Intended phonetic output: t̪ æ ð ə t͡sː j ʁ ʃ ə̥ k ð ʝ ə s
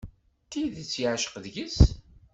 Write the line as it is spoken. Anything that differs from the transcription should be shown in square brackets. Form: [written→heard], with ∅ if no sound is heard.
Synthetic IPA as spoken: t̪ [æ→i] ð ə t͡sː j [ʁ→ʕ] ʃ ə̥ [k→q] ð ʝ ə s